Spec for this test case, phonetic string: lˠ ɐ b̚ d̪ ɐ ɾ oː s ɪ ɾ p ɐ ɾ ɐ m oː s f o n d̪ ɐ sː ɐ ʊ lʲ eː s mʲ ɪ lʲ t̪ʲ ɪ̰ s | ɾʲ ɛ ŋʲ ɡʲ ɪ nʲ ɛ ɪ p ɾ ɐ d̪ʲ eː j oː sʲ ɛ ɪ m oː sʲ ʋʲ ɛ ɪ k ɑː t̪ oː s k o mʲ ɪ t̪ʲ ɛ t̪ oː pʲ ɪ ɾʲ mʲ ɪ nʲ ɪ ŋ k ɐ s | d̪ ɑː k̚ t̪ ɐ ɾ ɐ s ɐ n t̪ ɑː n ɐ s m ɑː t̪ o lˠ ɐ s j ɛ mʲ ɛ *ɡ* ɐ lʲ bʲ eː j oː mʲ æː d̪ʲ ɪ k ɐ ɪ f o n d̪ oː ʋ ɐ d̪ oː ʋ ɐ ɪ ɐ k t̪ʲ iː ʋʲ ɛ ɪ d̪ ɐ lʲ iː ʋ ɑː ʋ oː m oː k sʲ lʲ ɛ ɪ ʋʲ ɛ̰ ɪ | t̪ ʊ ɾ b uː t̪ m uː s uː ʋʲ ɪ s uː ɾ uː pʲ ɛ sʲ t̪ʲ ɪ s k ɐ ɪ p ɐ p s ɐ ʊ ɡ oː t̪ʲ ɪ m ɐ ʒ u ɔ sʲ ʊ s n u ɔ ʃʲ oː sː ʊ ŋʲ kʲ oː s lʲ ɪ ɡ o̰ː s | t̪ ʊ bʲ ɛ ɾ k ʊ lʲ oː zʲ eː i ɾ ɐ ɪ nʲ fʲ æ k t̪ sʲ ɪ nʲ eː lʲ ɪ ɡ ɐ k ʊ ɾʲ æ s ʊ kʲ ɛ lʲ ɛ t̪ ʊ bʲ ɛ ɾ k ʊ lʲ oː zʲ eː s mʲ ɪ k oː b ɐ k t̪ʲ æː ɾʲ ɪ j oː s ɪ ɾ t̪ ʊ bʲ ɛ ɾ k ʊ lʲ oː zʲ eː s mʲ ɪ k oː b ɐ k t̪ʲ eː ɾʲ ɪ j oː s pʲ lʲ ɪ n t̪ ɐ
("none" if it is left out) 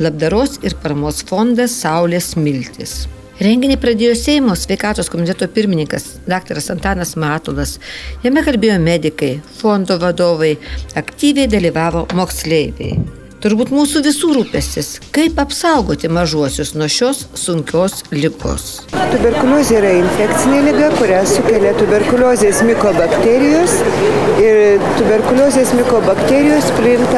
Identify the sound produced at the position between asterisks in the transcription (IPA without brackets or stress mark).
k